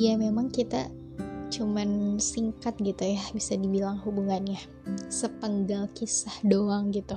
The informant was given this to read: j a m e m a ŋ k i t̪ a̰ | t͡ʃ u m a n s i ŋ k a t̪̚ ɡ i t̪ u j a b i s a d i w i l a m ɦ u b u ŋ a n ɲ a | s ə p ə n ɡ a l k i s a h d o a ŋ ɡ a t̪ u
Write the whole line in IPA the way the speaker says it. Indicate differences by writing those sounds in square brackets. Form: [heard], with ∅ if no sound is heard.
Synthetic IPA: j a m e m a ŋ k i t̪ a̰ | t͡ʃ u m a n s i ŋ k a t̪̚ ɡ i t̪ u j a b i s a d i [b] i l a [ŋ] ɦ u b u ŋ a n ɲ a | s ə p ə [ŋ] ɡ a l k i s a h d o a ŋ ɡ [i] t̪ u